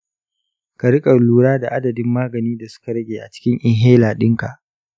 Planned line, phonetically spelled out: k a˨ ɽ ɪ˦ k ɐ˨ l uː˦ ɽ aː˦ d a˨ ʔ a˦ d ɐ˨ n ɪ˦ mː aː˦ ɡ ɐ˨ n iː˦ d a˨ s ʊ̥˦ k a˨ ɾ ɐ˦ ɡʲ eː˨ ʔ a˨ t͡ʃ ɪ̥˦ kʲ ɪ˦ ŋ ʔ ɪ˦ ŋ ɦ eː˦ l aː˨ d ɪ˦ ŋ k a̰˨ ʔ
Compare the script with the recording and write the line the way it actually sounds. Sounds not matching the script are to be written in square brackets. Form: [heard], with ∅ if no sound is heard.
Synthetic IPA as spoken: k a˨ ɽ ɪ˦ [kʼ] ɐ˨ l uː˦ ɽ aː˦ d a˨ ʔ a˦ d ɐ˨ [d] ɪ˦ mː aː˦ ɡ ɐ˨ n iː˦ d a˨ s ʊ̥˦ k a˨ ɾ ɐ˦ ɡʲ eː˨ ʔ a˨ t͡ʃ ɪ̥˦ kʲ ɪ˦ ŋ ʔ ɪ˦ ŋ ɦ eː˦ l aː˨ [ɗ] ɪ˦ ŋ k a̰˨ ʔ

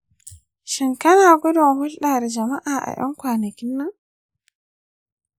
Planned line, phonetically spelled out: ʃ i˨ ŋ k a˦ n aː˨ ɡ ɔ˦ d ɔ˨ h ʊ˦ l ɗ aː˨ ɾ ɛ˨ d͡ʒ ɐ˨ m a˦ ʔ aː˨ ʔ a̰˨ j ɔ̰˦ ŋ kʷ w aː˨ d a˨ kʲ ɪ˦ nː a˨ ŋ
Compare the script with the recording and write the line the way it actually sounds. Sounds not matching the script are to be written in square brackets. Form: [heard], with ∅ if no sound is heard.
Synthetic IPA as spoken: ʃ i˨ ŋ k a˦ n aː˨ ɡ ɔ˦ d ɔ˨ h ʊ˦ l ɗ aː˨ ɾ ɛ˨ d͡ʒ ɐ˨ m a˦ ʔ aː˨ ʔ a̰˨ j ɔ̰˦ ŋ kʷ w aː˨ [n] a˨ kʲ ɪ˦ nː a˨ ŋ

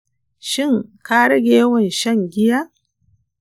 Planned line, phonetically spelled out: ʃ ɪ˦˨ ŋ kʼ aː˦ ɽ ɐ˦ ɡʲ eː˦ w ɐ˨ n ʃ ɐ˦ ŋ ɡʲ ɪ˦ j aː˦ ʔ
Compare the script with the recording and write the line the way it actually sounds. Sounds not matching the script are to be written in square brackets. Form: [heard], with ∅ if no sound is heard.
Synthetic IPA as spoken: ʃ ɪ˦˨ ŋ [k] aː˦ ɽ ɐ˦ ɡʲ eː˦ w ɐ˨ n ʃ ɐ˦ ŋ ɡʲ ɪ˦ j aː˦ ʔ

